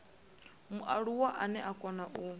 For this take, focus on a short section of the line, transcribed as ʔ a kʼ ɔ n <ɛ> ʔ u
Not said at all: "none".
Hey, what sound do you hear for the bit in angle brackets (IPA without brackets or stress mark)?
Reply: a